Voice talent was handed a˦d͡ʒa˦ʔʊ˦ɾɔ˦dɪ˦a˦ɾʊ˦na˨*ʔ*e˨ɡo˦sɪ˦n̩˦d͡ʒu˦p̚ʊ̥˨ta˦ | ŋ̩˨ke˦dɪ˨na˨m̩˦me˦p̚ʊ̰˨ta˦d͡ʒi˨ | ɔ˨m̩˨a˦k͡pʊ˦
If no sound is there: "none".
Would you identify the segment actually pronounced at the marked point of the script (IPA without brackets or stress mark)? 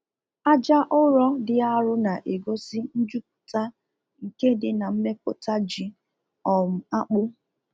ʔ